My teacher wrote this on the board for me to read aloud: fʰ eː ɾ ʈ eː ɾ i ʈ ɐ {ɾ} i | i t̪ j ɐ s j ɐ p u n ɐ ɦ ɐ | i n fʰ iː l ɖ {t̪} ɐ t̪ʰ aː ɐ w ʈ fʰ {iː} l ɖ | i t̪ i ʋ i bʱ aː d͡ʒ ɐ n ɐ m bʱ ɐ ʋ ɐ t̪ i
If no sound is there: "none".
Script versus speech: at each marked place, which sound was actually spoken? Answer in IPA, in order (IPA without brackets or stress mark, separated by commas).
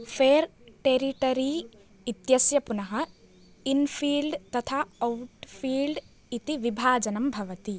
ɾ, t̪, iː